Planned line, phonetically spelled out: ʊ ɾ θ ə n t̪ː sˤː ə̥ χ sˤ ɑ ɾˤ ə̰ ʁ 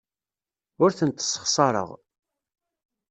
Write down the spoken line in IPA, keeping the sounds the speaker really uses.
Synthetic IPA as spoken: ʊ ɾ θ ə n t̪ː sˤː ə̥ χ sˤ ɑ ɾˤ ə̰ ʁ

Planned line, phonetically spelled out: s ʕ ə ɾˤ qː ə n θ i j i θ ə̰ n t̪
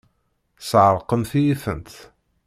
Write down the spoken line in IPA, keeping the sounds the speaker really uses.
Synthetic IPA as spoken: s ʕ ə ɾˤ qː ə m θ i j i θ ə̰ n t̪

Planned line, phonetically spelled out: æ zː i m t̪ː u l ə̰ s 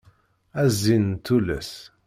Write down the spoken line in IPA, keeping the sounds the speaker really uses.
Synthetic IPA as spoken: æ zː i n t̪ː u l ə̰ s

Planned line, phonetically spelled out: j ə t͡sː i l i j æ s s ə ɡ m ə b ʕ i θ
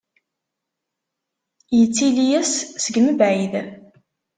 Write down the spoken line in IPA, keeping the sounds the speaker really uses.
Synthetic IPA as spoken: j ə t͡sː i l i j æ s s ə ɡ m ə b ʕ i ð

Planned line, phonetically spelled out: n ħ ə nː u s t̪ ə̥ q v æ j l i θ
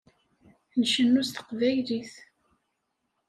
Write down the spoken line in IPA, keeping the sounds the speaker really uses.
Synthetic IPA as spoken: n ʃ ə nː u s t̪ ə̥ q v æ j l i θ

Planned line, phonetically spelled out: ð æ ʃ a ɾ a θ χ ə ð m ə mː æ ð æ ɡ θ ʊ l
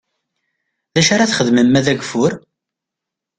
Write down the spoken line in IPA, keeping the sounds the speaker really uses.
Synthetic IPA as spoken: ð æ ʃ a ɾ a θ χ ə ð m ə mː æ ð æ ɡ f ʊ ɾ

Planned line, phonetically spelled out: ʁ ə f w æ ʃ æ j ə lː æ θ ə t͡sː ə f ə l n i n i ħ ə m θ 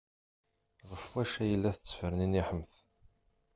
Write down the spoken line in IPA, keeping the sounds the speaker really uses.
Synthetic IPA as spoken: ʁ ə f w æ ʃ æ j ə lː æ θ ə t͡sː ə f ə ɾ n i n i ħ ə m θ

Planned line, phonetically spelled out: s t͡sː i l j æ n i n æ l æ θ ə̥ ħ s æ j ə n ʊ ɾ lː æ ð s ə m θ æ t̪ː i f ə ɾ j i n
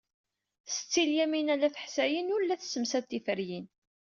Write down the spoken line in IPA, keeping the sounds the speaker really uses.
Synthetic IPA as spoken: s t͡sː i l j æ m i n æ l æ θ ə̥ ħ s æ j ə n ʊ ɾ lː æ θ s ə m s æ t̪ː i f ə ɾ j i n

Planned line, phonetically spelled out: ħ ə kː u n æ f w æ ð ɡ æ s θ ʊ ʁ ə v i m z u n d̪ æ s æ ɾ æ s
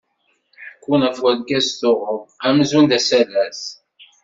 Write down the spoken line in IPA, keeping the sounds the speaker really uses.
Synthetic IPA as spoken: ħ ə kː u n æ f w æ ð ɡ æ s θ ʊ ʁ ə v æ m z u n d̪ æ s æ l æ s

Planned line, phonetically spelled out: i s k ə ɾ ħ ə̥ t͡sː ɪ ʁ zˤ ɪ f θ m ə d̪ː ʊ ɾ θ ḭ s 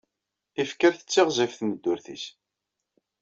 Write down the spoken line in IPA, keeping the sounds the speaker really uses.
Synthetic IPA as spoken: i f k ə ɾ θ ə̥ t͡sː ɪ ʁ zˤ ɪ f θ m ə d̪ː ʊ ɾ θ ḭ s

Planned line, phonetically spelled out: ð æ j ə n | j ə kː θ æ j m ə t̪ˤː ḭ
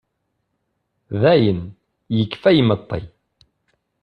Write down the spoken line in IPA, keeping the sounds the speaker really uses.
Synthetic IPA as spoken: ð æ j ə n | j ə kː f æ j m ə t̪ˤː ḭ

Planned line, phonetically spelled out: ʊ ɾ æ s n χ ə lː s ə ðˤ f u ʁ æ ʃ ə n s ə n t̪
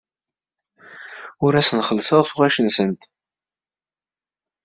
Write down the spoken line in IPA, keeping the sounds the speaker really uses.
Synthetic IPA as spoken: ʊ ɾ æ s n χ ə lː s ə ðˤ f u ʁ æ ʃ ə n s ə n t̪

